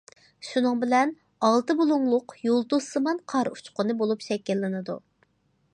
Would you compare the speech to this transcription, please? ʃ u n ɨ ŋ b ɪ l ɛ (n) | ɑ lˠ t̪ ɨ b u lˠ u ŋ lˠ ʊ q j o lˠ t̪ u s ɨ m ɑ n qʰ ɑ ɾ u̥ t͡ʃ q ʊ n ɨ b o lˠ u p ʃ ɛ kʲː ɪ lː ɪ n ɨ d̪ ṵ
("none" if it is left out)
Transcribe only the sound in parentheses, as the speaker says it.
n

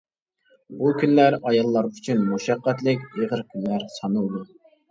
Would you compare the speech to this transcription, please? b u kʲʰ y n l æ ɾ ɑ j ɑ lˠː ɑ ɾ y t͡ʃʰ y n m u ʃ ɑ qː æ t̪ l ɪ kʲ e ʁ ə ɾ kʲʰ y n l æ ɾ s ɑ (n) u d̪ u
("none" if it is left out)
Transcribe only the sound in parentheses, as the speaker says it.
n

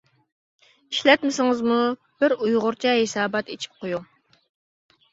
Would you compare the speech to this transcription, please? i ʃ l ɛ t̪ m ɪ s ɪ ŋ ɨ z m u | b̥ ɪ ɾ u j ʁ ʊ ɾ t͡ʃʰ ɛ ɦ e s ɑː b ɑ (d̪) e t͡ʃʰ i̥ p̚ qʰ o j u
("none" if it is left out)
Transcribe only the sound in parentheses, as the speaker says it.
t̪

